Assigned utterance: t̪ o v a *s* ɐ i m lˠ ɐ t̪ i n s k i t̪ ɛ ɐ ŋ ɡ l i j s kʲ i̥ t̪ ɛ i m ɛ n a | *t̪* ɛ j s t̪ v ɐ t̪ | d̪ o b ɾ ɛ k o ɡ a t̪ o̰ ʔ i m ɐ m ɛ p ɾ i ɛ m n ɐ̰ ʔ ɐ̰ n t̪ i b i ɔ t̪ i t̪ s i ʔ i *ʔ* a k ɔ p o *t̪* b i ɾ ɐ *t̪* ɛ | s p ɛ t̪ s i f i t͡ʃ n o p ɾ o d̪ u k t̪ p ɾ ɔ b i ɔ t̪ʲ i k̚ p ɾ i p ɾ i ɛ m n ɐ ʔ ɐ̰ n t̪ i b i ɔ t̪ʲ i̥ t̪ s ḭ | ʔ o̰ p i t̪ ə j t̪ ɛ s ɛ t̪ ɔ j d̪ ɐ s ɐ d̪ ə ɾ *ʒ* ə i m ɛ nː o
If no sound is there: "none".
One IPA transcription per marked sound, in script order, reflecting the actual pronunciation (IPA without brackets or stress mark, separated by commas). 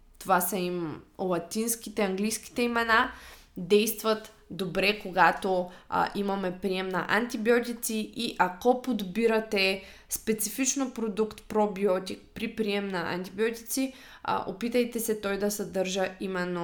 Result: s, d̪, ʔ, d̪, t̪, ʒ